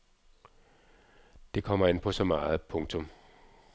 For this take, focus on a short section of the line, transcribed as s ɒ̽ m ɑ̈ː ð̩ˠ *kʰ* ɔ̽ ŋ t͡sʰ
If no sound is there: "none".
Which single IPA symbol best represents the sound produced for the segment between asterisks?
pʰ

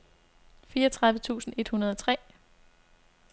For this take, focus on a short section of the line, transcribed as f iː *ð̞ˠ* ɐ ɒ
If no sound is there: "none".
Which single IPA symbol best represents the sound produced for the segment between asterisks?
none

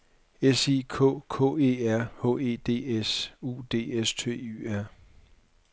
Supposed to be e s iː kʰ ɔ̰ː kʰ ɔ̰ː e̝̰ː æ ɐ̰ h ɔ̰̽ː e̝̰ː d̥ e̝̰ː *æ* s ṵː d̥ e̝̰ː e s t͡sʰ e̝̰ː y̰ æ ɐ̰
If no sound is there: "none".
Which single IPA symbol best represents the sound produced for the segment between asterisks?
e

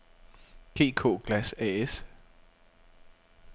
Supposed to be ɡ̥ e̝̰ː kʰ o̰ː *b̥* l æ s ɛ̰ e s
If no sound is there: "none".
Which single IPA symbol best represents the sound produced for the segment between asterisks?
ɡ̥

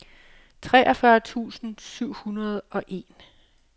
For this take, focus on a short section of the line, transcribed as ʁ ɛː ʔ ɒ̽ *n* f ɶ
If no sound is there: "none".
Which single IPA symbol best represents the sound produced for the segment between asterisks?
none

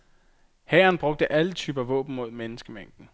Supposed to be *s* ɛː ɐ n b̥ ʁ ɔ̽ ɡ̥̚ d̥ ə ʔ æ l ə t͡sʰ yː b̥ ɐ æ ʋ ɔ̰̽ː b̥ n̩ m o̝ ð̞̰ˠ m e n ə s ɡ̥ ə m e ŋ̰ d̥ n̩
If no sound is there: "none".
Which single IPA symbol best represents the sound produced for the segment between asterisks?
h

